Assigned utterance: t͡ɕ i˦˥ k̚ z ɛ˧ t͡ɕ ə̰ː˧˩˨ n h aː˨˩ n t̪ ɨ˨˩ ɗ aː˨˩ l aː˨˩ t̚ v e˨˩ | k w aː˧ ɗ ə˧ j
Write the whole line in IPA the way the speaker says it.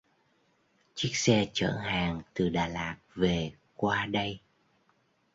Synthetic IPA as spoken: t͡ɕ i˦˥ k̚ s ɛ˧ t͡ɕ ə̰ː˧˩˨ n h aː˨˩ ŋ t̪ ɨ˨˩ ɗ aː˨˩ l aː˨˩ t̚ v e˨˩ | k w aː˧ ɗ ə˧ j